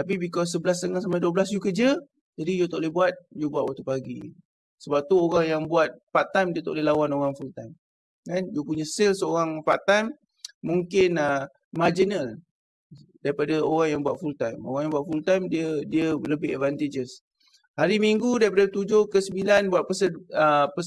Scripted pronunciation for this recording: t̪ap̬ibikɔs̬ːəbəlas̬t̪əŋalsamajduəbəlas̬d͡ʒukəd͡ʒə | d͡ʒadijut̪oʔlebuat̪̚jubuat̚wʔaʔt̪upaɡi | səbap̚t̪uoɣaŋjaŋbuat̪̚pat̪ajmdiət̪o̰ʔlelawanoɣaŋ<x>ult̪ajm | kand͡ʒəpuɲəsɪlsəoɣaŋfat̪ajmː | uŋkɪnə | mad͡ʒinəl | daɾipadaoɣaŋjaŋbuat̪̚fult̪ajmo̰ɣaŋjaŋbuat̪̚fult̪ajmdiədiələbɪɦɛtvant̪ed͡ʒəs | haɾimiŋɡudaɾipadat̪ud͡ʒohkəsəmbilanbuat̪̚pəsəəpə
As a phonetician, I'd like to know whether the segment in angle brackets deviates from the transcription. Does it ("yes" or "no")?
yes